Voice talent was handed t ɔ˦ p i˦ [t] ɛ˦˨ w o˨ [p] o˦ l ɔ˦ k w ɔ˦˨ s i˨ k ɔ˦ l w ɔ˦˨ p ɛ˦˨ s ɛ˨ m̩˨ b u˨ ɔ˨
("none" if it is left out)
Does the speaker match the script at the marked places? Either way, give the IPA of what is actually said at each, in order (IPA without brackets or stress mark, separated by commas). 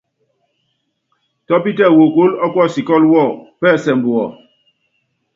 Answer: t, k